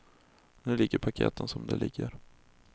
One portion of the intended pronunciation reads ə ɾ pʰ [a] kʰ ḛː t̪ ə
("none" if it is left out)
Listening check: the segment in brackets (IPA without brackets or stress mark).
a